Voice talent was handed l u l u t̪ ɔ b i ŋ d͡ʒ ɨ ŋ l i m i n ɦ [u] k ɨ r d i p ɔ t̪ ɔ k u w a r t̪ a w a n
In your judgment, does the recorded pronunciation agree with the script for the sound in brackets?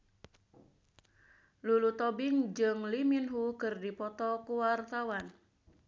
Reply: yes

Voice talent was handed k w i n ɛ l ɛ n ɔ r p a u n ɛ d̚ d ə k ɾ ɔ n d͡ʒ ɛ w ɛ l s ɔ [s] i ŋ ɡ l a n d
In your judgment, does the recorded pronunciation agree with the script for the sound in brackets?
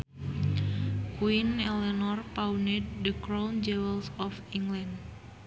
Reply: no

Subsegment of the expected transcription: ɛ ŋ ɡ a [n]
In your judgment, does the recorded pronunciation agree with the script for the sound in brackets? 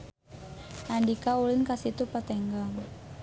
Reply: no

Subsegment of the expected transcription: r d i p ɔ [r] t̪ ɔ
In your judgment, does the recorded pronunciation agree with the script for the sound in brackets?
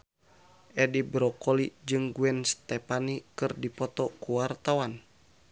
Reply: no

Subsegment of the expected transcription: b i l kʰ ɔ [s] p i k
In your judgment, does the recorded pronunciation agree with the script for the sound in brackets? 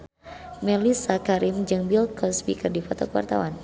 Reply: yes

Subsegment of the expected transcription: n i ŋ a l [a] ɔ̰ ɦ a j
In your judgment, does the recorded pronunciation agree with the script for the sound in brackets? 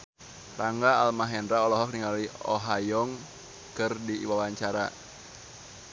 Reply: no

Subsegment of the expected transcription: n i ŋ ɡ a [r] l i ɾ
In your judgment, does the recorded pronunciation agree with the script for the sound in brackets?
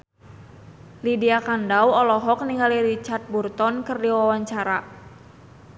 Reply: no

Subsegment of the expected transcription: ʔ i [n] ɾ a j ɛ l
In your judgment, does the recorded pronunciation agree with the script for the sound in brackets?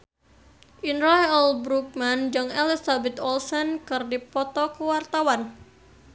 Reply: yes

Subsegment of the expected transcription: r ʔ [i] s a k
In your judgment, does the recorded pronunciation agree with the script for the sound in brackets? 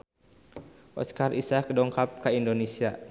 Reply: yes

